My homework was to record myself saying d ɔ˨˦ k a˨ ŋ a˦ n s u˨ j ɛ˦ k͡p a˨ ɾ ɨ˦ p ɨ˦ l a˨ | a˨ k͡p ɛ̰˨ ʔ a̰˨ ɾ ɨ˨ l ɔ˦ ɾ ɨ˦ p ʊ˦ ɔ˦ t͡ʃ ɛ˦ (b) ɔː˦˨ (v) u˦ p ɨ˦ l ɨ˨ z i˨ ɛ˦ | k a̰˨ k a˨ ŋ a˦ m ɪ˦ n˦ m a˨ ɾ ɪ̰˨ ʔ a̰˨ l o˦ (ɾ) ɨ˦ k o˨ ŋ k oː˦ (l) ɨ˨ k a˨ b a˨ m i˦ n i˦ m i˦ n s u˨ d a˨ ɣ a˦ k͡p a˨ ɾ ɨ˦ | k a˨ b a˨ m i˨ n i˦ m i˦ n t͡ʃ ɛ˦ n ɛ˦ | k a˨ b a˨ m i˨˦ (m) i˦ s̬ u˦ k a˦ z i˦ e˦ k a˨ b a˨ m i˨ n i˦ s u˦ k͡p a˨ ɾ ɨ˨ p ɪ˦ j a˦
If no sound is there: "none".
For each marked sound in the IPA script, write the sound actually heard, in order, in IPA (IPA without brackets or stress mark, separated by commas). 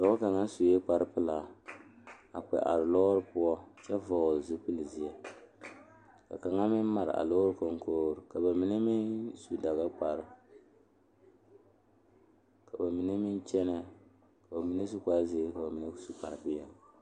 v, z, ɾ, ɾ, n